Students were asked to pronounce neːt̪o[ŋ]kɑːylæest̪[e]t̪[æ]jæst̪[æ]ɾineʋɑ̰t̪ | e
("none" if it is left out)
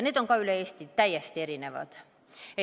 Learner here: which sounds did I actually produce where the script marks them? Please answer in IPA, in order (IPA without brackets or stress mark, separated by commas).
ŋ, i, æ, e